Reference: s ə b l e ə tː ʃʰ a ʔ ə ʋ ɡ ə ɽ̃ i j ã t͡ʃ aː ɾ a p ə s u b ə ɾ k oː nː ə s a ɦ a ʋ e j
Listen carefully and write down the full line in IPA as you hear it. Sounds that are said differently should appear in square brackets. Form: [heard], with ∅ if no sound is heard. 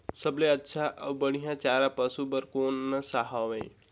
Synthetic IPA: s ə b l e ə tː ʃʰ a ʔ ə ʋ [b] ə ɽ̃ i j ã t͡ʃ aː ɾ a p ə s u b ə ɾ k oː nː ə s a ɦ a ʋ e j